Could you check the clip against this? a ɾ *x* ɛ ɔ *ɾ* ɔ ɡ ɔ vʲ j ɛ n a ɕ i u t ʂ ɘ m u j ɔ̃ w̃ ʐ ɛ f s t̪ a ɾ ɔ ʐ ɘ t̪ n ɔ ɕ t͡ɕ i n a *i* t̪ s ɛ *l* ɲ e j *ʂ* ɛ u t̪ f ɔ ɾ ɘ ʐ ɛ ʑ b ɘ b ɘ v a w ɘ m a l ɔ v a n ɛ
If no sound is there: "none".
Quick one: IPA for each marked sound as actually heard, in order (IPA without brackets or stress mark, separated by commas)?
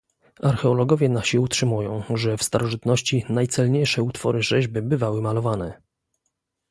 x, l, j, l, ʂ